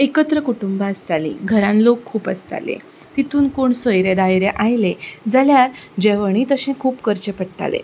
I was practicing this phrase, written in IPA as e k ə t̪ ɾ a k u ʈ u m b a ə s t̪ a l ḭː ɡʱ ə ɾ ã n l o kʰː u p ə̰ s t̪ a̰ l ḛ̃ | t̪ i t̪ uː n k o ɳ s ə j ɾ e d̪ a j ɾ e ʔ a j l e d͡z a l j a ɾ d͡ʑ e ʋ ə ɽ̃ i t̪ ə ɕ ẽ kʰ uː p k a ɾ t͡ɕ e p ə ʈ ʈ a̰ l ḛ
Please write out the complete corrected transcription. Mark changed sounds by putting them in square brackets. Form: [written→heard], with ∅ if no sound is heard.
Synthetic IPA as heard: e k ə t̪ ɾ [a→ə] k u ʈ u m b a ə s t̪ a l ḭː ɡʱ ə ɾ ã n l o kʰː [u→uː] p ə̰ s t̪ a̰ l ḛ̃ | t̪ i t̪ uː n k o ɳ s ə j ɾ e d̪ a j ɾ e ʔ a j l e d͡z a l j a ɾ d͡ʑ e ʋ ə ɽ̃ i t̪ ə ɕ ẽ kʰ uː p k [a→ə] ɾ t͡ɕ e p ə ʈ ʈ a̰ l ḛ